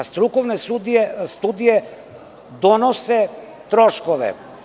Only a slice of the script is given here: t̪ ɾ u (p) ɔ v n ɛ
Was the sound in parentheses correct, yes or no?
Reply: no